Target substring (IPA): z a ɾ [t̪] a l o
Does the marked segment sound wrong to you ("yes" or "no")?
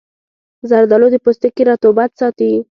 yes